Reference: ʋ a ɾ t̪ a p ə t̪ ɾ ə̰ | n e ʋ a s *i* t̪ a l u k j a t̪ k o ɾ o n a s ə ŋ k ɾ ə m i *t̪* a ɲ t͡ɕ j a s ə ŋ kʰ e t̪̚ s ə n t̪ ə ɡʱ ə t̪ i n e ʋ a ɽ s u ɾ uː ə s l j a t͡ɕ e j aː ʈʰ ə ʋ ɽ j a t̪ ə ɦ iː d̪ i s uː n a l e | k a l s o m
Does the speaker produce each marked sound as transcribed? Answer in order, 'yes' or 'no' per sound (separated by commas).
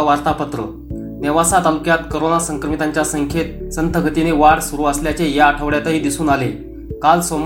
no, yes